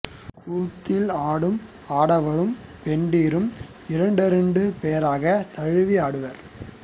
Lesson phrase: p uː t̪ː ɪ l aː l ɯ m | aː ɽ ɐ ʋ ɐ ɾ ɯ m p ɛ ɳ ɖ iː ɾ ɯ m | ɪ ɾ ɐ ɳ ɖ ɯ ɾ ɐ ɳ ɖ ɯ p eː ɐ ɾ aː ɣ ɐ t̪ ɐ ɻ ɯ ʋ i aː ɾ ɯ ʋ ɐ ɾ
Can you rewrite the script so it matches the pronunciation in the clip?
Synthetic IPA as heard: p uː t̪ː ɪ l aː ɽ ɯ m | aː ɽ ɐ ʋ ɐ ɾ ɯ m p ɛ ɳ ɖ iː ɾ ɯ m | ɪ ɾ ɐ ɳ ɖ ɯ ɾ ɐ ɳ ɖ ɯ p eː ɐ ɾ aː ɣ ɐ t̪ ɐ ɻ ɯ ʋ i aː ɽ ɯ ʋ ɐ ɾ

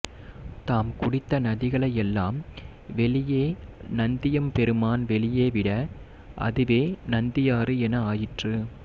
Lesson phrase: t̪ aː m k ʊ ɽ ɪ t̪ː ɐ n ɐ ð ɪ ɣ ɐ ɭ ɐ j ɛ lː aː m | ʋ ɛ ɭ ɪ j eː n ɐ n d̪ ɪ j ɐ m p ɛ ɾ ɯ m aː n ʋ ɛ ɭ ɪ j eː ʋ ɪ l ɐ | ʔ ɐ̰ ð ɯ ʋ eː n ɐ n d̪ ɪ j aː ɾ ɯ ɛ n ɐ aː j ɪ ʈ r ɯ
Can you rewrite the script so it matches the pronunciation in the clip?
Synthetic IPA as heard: t̪ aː m k ʊ ɽ ɪ t̪ː ɐ n ɐ ð ɪ ɣ ɐ ɭ ɐ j ɛ lː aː m | ʋ ɛ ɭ ɪ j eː n ɐ n d̪ ɪ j ɐ m p ɛ ɾ ɯ m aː n ʋ ɛ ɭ ɪ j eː ʋ ɪ ɽ ɐ | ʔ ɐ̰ ð ɯ ʋ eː n ɐ n d̪ ɪ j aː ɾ ɯ ɛ n ɐ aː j ɪ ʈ r ɯ

